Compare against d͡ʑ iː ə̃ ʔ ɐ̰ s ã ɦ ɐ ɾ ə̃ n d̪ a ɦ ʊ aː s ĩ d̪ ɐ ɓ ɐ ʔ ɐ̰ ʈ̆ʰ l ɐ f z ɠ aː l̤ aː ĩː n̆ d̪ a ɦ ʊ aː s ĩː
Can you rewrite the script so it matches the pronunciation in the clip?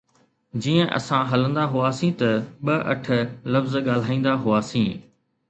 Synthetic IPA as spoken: d͡ʑ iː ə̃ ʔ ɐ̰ s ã ɦ ɐ l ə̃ n d̪ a ɦ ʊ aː s ĩ t̪ ɐ ɓ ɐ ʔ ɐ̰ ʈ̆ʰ l ɐ f z ɠ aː l̤ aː ĩː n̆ d̪ a ɦ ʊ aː s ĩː